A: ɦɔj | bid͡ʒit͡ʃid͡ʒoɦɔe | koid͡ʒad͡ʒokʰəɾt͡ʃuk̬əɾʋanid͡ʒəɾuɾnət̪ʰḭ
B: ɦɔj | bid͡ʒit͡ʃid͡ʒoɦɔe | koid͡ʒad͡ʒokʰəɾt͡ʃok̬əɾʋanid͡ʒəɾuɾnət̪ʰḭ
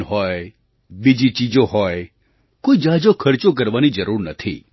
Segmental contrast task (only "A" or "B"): B